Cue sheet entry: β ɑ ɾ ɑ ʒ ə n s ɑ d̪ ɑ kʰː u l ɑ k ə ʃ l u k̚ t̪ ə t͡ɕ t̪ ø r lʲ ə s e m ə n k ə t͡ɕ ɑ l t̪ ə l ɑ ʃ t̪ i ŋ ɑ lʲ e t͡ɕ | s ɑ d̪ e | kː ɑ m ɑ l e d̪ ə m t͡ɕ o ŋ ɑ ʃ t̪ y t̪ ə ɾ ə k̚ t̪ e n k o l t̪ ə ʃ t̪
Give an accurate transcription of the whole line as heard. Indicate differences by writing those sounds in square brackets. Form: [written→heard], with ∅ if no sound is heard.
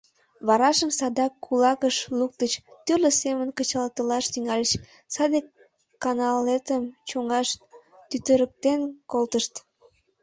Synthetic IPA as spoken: β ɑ ɾ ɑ [ʒ→ʃ] ə [n→m] s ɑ d̪ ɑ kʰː u l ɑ k ə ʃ l u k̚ t̪ ə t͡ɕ t̪ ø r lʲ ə s e m ə n k ə t͡ɕ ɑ l t̪ ə l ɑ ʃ t̪ [i→y] ŋ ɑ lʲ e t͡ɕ | s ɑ d̪ e | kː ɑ [m→n] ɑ l e [d̪→t̪] ə m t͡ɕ o ŋ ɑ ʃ t̪ y t̪ ə ɾ ə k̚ t̪ e n k o l t̪ ə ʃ t̪